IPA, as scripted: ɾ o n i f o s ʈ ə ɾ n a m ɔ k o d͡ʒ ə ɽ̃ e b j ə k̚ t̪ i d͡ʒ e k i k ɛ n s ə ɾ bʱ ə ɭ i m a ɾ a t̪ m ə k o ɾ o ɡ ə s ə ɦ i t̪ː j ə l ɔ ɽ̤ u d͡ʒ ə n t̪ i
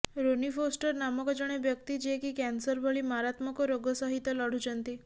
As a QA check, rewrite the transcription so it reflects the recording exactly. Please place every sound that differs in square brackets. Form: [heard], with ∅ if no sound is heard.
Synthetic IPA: ɾ o n i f o s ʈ ə ɾ n a m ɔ k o d͡ʒ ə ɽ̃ e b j ə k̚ t̪ i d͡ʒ e k i k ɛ n s ə ɾ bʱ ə ɭ i m a ɾ a t̪ m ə k o ɾ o ɡ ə s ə ɦ i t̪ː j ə l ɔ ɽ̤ u d͡ʒ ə n t̪ i